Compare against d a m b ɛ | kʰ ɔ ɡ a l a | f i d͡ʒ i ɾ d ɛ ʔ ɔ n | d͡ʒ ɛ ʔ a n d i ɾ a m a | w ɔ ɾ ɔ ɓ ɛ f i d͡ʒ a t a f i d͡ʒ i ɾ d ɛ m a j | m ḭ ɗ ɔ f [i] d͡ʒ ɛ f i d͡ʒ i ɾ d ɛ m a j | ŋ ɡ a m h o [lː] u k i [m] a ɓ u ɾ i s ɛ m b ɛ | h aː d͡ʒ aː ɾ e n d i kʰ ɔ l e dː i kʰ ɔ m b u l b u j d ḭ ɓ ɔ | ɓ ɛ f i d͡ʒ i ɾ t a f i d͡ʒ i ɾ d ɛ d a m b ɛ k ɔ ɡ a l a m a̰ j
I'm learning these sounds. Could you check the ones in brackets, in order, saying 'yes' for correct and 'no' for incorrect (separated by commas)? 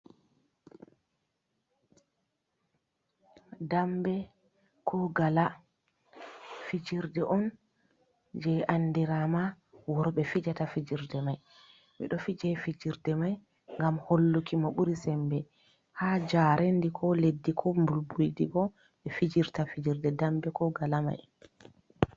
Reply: yes, yes, yes